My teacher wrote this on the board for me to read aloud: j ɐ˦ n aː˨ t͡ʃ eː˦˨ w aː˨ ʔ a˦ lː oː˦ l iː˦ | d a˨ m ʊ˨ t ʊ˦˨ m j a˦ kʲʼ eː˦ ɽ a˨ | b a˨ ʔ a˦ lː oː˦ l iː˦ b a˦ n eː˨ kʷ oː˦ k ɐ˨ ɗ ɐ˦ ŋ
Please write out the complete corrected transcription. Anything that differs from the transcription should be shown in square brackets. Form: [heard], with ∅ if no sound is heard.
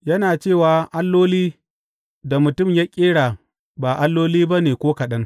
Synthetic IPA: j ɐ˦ n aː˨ t͡ʃ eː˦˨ w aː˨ ʔ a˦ lː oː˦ l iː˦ | d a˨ m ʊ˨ t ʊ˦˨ m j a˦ kʲʼ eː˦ ɽ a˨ | b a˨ ʔ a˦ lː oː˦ l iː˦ b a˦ n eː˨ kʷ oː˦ k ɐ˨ ɗ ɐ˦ ŋ